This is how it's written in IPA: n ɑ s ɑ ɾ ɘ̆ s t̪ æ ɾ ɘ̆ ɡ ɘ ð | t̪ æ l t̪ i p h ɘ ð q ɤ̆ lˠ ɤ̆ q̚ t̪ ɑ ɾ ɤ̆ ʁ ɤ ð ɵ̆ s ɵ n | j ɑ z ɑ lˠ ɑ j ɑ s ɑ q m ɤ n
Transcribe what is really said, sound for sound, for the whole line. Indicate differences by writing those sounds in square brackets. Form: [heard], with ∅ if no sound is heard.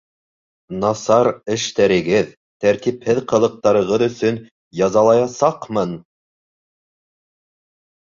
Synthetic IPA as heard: n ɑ s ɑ ɾ ɘ̆ [ʃ] t̪ æ ɾ ɘ̆ ɡ ɘ ð | t̪ æ [ɾ] t̪ i p h ɘ ð q ɤ̆ lˠ ɤ̆ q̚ t̪ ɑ ɾ ɤ̆ ʁ ɤ ð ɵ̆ s ɵ n | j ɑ z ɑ lˠ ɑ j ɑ s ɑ q m ɤ n

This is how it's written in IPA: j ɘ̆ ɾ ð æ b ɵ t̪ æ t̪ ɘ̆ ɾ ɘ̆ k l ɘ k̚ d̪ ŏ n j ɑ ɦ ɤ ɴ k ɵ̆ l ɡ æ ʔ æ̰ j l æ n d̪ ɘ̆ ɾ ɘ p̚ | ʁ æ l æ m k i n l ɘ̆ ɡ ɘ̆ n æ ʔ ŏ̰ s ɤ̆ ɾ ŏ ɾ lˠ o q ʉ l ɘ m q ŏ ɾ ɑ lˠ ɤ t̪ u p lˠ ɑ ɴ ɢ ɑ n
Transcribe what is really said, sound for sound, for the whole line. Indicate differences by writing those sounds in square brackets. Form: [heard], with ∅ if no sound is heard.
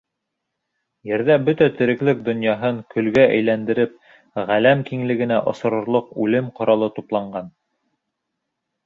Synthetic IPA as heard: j ɘ̆ ɾ ð æ b ɵ t̪ æ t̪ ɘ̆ ɾ ɘ̆ k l ɘ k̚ d̪ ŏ n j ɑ ɦ ɤ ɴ k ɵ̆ l ɡ æ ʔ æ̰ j l æ n d̪ ɘ̆ ɾ ɘ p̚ | ʁ æ l æ m k i [ŋ] l ɘ̆ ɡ ɘ̆ n æ ʔ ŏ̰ s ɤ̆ ɾ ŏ ɾ lˠ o q ʉ l ɘ m q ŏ ɾ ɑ lˠ ɤ t̪ u p lˠ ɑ ɴ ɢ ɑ n

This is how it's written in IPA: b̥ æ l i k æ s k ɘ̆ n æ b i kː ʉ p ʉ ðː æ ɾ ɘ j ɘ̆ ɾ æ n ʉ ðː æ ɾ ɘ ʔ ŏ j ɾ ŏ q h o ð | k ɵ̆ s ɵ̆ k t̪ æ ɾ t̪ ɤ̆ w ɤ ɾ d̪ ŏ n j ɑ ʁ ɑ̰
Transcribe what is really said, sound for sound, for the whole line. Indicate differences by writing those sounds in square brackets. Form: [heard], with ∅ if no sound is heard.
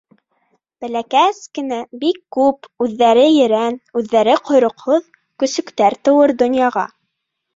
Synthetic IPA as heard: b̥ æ l [æ] k æ s k ɘ̆ n æ b i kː ʉ p ʉ ðː æ ɾ ɘ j ɘ̆ ɾ æ n ʉ ðː æ ɾ ɘ [q] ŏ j ɾ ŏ q h o ð | k ɵ̆ s ɵ̆ k t̪ æ ɾ t̪ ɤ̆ w ɤ ɾ d̪ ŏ n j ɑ ʁ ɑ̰

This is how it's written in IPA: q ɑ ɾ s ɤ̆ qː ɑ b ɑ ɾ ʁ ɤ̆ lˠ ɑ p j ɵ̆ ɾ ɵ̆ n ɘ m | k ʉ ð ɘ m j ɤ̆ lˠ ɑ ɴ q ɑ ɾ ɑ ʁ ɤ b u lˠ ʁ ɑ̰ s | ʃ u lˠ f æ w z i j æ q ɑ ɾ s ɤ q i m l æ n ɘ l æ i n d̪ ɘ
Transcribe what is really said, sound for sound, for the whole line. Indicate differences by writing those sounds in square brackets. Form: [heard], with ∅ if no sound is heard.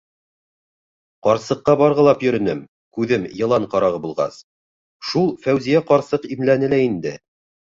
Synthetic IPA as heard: q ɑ ɾ s ɤ̆ qː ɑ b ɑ ɾ ʁ ɤ̆ lˠ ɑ p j ɵ̆ ɾ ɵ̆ n ɘ m | k ʉ ð ɘ m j ɤ̆ lˠ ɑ ɴ q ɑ ɾ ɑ ʁ ɤ b u lˠ ʁ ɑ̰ s | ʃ u lˠ f æ w z i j æ q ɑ ɾ s ɤ q i m l æ n ɘ l æ i n d̪ ɘ

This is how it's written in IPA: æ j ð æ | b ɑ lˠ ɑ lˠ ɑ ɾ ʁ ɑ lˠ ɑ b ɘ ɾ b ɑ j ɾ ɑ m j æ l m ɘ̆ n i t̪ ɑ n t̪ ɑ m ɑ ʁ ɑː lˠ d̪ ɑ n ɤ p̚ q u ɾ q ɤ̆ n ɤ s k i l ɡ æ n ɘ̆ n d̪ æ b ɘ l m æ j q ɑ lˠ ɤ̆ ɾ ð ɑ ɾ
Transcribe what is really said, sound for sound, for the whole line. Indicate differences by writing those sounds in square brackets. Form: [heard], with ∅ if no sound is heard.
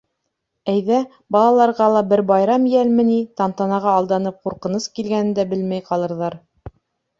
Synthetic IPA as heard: æ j ð æ | b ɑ lˠ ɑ lˠ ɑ ɾ ʁ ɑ lˠ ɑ b ɘ ɾ b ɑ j ɾ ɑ m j æ l m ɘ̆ n i t̪ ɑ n t̪ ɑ [n] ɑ ʁ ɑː lˠ d̪ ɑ n ɤ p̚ q u ɾ q ɤ̆ n ɤ s k i l ɡ æ n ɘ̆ n d̪ æ b ɘ l m æ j q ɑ lˠ ɤ̆ ɾ ð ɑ ɾ

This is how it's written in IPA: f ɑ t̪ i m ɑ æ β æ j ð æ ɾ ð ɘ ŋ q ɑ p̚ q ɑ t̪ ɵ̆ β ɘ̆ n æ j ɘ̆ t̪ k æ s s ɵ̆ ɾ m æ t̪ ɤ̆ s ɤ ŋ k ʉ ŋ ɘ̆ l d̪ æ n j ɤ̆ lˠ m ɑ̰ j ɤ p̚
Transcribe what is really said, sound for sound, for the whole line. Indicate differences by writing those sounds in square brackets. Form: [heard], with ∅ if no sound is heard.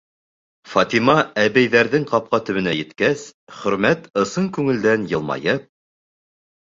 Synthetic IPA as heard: f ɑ t̪ i m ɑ æ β æ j ð æ ɾ ð ɘ ŋ q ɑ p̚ q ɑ t̪ ɵ̆ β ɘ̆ n æ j ɘ̆ t̪ k æ s [χ] ɵ̆ ɾ m æ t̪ ɤ̆ s ɤ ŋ k ʉ ŋ ɘ̆ l d̪ æ n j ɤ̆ lˠ m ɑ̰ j ɤ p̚

